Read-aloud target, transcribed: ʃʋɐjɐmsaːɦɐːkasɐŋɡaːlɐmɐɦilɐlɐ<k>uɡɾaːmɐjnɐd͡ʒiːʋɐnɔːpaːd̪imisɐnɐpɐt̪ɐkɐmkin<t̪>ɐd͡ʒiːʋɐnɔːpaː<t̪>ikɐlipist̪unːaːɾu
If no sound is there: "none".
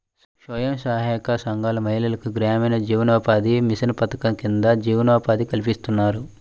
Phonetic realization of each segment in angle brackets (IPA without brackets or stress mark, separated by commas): k, d̪, d̪